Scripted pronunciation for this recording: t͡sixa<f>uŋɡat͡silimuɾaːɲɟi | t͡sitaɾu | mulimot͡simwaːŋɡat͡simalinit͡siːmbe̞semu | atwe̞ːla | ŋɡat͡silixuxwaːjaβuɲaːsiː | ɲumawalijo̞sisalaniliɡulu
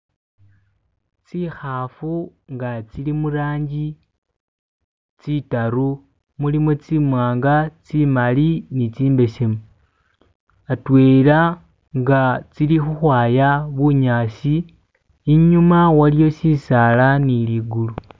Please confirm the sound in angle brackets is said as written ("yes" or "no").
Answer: yes